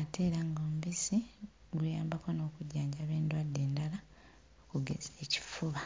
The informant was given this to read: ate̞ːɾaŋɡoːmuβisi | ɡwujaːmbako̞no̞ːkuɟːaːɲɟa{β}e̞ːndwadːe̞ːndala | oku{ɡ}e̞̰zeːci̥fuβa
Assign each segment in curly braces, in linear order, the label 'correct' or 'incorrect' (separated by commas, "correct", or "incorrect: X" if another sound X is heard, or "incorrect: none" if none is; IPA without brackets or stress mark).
correct, correct